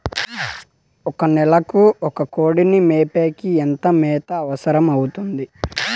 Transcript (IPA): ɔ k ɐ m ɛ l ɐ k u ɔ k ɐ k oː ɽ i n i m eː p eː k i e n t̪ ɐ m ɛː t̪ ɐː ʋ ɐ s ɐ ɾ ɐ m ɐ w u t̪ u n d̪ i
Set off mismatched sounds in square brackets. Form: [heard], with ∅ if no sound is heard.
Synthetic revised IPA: ɔ k ɐ [n] ɛ l ɐ k u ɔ k ɐ k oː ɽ i n i m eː p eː k i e n t̪ ɐ m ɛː t̪ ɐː ʋ ɐ s ɐ ɾ ɐ m ɐ w u t̪ u n d̪ i